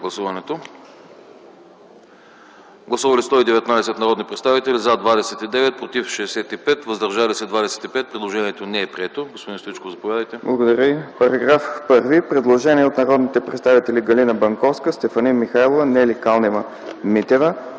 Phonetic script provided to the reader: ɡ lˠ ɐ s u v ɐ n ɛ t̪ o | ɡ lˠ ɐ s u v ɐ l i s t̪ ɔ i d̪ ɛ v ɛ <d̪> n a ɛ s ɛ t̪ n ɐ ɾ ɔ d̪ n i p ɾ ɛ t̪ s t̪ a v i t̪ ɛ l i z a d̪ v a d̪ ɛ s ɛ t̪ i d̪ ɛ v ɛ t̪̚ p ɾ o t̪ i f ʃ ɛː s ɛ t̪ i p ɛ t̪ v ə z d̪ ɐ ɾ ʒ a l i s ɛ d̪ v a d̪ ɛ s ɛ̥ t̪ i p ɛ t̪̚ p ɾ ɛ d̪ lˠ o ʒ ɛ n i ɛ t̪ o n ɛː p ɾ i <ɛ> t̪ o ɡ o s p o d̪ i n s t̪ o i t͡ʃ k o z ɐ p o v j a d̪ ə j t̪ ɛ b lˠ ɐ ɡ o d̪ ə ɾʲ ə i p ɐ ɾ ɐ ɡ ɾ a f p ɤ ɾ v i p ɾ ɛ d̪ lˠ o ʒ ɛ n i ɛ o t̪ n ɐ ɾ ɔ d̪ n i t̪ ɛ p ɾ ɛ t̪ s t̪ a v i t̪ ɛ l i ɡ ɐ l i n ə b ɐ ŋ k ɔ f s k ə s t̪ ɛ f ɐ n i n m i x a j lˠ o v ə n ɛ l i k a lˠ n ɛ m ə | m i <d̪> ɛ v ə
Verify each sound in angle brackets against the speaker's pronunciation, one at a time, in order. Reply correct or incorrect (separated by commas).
incorrect, correct, incorrect